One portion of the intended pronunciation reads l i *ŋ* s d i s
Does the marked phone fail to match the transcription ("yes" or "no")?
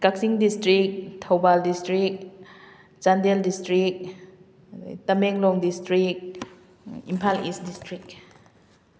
yes